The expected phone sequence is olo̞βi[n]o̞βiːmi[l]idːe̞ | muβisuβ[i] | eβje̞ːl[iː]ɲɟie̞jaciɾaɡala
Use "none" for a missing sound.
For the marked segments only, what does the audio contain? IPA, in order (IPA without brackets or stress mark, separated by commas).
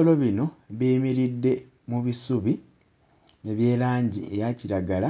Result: n, ɾ, i, aː